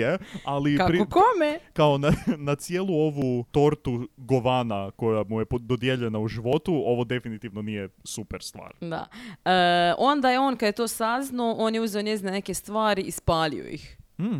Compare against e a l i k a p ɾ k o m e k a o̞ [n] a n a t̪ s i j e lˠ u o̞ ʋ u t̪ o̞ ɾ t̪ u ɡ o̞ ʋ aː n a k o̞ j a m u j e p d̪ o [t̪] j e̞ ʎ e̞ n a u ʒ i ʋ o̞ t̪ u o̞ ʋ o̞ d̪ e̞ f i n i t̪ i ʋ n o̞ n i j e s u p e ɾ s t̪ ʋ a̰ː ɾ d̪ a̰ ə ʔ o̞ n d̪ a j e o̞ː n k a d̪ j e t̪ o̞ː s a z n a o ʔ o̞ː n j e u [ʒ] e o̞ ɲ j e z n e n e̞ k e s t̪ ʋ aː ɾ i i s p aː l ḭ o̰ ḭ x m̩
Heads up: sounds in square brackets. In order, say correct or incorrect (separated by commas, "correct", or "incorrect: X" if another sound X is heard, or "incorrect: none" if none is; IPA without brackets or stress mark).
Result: correct, incorrect: d̪, incorrect: z